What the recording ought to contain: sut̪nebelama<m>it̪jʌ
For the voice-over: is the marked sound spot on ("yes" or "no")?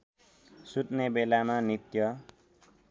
no